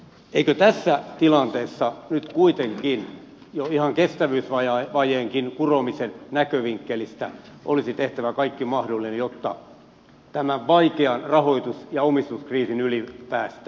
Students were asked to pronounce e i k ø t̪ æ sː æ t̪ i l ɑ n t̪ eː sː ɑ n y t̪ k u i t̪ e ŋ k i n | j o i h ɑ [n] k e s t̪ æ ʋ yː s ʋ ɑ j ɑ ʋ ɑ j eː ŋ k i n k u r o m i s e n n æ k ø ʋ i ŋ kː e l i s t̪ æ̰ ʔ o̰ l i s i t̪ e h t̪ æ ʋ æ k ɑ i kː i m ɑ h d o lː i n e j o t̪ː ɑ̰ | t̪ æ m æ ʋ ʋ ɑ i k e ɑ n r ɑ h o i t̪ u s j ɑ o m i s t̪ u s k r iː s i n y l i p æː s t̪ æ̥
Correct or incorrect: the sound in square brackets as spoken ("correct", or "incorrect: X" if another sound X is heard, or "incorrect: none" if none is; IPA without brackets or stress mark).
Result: incorrect: ŋ